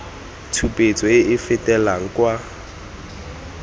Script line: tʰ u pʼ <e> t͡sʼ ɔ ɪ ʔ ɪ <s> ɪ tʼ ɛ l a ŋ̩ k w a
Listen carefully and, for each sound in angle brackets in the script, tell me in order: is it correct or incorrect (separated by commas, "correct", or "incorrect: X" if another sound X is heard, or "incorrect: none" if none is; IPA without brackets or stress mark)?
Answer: correct, incorrect: f